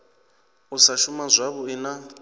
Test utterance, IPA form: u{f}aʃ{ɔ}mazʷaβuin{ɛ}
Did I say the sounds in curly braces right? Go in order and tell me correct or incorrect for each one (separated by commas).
incorrect, incorrect, incorrect